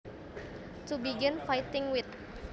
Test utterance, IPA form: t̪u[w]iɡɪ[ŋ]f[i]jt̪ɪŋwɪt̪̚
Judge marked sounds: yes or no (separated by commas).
no, no, no